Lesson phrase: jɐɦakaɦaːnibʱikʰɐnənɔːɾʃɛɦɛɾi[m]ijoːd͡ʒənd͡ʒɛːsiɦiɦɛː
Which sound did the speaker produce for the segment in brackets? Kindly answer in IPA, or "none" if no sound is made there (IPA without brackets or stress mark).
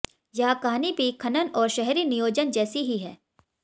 n